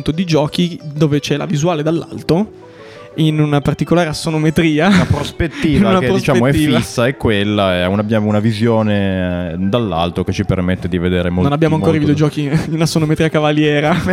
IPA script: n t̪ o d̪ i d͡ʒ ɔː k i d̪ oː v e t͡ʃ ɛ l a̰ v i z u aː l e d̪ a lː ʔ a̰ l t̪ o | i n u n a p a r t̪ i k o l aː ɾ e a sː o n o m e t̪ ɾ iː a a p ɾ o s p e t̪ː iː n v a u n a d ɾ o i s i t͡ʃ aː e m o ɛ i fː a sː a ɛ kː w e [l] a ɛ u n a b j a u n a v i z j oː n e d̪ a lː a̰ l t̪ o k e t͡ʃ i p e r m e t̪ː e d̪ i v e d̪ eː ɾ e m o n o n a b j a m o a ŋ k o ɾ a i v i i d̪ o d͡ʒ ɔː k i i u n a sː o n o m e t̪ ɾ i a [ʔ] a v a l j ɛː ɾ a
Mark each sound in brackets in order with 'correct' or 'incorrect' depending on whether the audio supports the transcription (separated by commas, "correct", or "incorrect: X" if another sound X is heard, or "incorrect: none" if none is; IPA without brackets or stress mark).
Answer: incorrect: lː, incorrect: k